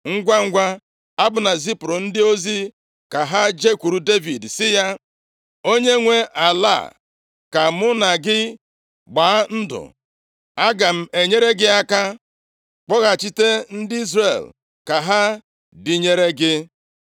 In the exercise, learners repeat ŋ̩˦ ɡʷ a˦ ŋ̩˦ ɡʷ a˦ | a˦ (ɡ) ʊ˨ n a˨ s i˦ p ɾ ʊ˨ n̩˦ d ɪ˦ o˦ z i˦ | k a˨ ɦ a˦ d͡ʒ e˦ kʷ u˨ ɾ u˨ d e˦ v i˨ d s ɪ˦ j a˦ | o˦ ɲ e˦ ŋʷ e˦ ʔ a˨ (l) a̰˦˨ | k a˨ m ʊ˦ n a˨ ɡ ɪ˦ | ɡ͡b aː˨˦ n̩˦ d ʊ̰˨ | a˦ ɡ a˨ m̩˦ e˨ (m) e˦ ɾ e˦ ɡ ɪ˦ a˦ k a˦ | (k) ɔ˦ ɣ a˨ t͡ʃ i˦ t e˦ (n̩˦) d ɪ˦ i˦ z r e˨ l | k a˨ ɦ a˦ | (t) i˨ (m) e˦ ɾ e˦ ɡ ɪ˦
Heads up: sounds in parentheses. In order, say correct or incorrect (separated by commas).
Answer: incorrect, correct, incorrect, incorrect, correct, incorrect, incorrect